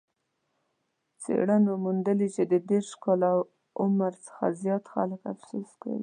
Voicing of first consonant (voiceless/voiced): voiceless